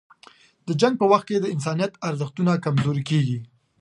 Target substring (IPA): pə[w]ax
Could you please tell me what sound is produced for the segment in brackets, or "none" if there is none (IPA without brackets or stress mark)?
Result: w